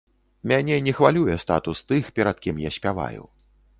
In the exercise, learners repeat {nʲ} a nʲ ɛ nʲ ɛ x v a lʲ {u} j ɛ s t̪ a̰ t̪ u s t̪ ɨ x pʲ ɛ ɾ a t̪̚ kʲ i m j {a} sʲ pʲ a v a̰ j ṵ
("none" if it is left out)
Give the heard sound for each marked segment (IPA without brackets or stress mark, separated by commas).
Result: mʲ, u, a